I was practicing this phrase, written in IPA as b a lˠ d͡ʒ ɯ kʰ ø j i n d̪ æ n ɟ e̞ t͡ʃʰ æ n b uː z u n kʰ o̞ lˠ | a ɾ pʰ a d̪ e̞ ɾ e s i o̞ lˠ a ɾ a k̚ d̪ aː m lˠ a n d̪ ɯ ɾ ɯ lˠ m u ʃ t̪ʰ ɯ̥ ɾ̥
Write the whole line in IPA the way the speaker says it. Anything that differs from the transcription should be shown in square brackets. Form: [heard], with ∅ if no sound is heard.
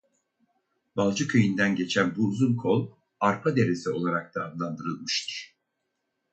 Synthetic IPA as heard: b a lˠ d͡ʒ ɯ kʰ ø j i n d̪ æ n ɟ e̞ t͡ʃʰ æ n b uː z u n kʰ o̞ lˠ | a ɾ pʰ a d̪ e̞ ɾ e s i o̞ lˠ a ɾ a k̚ d̪ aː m lˠ a n d̪ ɯ ɾ ɯ lˠ m [ɯ] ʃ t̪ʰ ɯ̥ ɾ̥